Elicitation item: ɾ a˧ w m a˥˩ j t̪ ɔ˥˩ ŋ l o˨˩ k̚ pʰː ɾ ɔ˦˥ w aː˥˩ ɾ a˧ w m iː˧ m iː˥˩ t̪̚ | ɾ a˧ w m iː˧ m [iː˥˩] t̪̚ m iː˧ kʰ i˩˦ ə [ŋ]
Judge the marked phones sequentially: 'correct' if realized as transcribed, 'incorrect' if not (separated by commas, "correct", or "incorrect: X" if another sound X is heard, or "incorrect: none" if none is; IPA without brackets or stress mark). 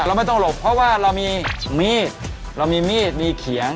correct, correct